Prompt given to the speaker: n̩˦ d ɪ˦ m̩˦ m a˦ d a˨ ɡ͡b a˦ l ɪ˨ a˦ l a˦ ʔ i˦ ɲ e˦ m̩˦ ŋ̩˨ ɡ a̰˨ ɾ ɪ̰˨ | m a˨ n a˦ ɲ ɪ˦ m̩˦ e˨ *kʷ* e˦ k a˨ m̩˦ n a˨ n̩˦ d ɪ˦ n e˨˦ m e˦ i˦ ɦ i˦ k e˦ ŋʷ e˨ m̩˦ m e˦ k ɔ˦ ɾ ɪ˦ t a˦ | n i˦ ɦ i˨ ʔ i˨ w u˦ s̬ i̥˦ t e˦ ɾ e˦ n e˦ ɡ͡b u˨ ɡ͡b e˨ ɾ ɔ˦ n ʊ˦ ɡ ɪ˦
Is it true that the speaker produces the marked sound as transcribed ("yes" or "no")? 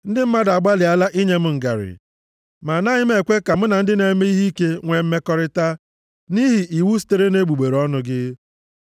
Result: yes